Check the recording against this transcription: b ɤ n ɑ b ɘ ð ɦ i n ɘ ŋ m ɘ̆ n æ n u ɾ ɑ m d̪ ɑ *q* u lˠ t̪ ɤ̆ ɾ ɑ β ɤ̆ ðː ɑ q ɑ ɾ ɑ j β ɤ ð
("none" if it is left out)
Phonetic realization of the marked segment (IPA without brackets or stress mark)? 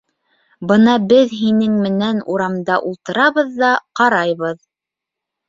ʔ